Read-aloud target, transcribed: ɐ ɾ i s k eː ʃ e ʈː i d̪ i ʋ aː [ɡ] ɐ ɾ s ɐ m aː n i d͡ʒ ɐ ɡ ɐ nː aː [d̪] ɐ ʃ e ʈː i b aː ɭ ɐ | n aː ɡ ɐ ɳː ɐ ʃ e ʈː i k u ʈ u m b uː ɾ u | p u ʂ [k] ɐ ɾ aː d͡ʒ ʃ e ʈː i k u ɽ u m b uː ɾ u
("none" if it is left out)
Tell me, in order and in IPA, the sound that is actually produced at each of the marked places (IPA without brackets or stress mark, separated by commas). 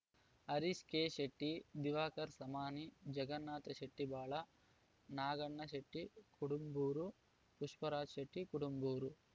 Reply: k, t̪, p